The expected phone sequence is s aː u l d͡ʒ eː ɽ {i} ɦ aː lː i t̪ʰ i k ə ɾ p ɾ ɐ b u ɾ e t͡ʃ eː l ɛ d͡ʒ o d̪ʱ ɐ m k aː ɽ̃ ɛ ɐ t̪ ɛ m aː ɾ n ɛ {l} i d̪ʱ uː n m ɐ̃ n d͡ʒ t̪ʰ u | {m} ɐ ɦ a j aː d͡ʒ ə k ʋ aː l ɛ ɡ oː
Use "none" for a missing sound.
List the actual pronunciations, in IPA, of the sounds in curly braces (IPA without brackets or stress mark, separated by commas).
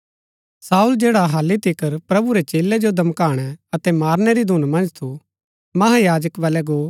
a, ɾ, m